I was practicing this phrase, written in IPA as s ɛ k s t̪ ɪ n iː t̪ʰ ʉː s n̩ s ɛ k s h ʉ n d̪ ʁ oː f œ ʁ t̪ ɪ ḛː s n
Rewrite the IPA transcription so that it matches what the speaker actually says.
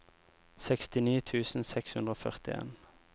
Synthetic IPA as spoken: s ɛ k s t̪ ɪ n iː t̪ʰ ʉː s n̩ s ɛ k s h ʉ n d̪ ʁ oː f œ ʁ t̪ ɪ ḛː n